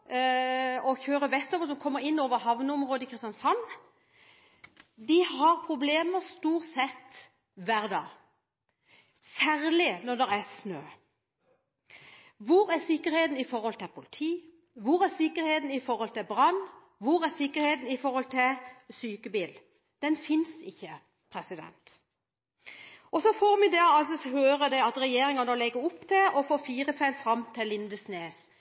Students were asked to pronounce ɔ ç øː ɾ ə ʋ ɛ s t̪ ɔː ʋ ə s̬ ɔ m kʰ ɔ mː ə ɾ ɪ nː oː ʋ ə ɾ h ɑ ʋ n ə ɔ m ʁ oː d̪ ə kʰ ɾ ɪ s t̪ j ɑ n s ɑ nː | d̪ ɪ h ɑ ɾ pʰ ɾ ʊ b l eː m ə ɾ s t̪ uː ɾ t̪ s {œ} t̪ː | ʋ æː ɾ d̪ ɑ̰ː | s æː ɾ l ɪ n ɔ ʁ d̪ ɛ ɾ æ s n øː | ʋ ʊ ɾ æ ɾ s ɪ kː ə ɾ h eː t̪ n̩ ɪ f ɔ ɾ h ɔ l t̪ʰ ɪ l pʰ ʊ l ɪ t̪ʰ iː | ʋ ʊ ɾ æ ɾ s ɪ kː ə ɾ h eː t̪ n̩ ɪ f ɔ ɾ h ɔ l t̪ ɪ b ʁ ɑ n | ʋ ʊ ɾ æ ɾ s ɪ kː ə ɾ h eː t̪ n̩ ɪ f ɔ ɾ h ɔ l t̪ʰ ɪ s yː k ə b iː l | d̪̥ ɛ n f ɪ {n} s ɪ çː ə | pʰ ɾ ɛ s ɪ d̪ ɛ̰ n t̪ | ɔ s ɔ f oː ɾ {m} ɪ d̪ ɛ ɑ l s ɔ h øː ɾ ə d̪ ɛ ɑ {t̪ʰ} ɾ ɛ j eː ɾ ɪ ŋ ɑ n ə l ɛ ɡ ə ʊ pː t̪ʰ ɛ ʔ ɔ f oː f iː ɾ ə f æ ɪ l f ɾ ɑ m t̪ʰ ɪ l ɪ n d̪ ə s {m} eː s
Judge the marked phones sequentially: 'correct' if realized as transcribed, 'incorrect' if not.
incorrect: ɛ, correct, correct, incorrect: t̪, incorrect: n

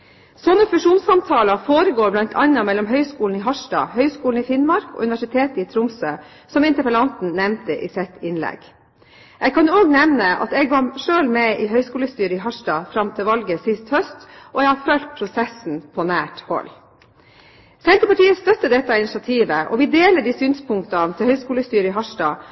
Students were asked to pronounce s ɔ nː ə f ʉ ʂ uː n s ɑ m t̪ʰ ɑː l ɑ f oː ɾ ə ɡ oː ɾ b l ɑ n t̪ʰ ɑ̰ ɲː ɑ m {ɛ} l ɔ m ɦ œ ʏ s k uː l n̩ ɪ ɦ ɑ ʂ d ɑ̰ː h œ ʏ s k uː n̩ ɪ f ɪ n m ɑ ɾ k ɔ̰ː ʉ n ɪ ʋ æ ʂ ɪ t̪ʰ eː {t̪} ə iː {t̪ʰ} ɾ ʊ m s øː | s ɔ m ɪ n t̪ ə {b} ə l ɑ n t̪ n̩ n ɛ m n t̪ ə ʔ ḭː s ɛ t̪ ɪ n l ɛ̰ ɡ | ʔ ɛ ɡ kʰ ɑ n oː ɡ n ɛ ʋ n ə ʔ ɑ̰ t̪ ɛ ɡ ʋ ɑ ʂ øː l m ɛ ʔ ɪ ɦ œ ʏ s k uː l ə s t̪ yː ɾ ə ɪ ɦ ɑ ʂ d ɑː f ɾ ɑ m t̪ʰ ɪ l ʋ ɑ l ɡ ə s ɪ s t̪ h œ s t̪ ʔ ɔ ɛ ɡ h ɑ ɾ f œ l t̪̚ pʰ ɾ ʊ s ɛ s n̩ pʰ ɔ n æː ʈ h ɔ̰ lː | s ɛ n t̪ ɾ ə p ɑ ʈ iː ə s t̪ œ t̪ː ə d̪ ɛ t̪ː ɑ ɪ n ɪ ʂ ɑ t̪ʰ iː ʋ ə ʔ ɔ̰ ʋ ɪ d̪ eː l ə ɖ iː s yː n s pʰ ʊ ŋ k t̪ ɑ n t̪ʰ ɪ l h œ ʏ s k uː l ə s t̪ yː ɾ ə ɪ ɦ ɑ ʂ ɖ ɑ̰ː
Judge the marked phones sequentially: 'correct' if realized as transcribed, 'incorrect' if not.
correct, correct, correct, incorrect: p

